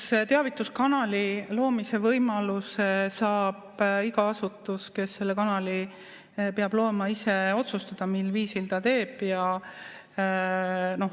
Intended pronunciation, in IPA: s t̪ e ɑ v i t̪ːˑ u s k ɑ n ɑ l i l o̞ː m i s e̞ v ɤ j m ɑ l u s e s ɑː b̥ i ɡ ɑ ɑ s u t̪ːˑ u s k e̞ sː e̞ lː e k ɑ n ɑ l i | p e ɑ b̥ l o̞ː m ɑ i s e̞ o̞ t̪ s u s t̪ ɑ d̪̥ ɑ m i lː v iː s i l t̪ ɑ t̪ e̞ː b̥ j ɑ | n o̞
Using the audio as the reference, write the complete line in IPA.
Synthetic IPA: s t̪ e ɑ v i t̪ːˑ u s k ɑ n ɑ l i l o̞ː m i s e̞ v ɤ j m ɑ l u s e s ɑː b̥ i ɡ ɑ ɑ s u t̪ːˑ u s k e̞ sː e̞ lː e k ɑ n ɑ l i | p e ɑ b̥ l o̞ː m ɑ i s e̞ o̞ t̪ s u s t̪ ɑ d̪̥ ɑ m i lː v iː s i l t̪ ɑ t̪ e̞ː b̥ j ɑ | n o̞